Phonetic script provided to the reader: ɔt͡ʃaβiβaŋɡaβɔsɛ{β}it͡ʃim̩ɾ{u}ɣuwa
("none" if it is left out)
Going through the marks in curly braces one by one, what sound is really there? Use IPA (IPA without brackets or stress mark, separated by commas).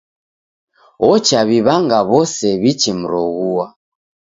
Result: β, ɔ